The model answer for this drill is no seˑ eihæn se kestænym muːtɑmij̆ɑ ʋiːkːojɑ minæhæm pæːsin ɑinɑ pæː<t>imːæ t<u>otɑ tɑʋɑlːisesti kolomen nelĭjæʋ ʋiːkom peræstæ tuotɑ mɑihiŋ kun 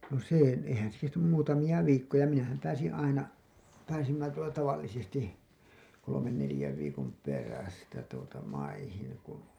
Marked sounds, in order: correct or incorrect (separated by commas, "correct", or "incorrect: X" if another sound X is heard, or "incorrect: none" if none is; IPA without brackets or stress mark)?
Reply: incorrect: s, correct